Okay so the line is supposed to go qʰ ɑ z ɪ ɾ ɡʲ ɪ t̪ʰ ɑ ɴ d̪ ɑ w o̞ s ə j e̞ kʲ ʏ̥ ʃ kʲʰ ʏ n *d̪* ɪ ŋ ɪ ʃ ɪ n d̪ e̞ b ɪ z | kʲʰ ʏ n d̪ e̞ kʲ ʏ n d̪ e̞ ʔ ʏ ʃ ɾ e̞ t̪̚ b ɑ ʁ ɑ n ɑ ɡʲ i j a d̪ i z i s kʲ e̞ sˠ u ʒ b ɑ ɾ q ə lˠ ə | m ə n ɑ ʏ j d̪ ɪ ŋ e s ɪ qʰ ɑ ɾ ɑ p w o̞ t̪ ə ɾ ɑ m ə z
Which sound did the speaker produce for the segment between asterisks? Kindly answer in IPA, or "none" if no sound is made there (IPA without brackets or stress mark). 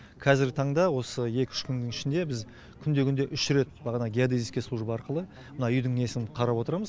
d̪